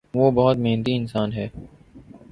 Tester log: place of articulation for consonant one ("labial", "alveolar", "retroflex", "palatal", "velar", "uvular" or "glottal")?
labial